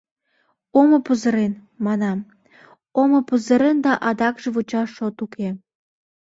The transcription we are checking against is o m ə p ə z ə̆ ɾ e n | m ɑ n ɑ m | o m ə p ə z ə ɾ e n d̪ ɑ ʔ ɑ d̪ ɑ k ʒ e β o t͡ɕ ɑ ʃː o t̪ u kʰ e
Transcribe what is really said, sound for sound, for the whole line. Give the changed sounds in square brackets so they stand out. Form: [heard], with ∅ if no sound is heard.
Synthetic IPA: o m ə p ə z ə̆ ɾ e n | m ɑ n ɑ m | o m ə p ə z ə ɾ e n d̪ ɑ ʔ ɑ d̪ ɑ k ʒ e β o t͡ɕ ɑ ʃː o t̪ u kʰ e